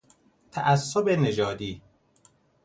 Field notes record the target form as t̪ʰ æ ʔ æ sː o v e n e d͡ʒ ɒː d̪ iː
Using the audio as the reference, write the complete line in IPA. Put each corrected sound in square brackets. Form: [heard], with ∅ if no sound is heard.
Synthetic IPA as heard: t̪ʰ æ ʔ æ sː o [b] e n e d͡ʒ ɒː d̪ iː